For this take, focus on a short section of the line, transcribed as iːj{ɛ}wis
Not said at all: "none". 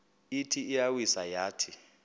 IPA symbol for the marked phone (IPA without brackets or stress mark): a